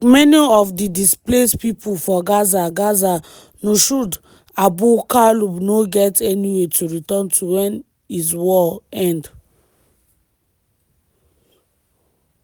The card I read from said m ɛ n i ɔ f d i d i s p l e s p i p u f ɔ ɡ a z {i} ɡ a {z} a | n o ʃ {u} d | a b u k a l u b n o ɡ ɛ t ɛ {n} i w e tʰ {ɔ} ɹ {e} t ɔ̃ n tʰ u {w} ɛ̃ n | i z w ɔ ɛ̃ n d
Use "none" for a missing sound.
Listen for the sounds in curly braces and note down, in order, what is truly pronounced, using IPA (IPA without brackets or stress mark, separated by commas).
a, z, u, n, u, i, w